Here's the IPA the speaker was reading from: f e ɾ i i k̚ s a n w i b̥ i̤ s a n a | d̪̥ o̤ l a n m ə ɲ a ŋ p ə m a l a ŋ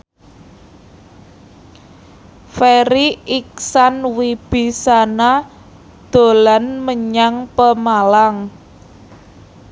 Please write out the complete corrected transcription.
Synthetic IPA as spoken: f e ɾ i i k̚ s a n w i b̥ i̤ s a n a | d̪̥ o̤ l a n m ə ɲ a ŋ p ə m a l a ŋ